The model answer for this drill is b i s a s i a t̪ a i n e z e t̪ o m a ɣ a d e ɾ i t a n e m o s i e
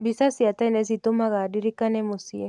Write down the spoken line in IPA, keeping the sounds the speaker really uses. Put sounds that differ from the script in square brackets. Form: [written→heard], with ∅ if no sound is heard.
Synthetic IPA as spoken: b i s a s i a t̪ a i n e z [e→i] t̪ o m a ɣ a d [e→i] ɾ i [t→k] a n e m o s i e